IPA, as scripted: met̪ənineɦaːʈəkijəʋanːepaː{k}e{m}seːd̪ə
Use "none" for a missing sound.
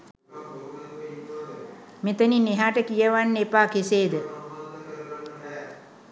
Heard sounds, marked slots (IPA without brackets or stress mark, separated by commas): k, none